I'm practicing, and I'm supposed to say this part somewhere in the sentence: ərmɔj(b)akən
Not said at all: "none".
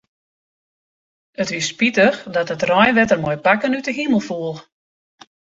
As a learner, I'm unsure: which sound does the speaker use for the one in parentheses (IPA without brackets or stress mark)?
p